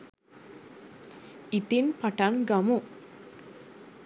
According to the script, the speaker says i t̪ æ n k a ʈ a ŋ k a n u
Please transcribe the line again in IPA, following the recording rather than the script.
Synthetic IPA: i t̪ i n p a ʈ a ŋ ɡ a m u